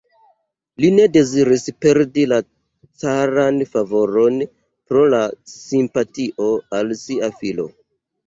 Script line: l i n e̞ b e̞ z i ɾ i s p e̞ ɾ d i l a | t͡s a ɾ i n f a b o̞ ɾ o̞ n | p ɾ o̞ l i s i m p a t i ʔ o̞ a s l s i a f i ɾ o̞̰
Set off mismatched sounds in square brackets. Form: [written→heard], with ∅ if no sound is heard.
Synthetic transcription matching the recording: l i n e̞ [b→d] e̞ z i ɾ i s p e̞ ɾ d i l a | t͡s a ɾ [i→a] n f a [b→v] o̞ ɾ o̞ n | p ɾ o̞ l [i→a] s i m p a t i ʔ o̞ a [s→∅] l s i a f i [ɾ→l] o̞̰